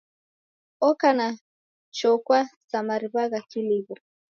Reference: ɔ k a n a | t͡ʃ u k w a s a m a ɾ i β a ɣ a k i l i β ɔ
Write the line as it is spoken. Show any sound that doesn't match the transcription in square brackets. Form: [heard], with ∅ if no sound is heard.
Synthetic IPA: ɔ k a n a | t͡ʃ [ɔ] k w a s a m a ɾ i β a ɣ a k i l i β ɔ